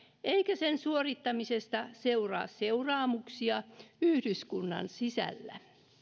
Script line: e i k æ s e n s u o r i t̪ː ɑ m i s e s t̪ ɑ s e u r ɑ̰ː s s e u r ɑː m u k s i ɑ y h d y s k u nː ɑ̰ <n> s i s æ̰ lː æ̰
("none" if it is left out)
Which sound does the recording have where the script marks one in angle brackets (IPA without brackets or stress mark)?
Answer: n